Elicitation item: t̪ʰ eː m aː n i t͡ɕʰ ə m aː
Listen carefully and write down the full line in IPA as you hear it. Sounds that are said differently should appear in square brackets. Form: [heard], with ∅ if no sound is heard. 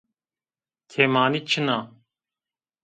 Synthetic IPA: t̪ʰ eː m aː n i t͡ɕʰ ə [n] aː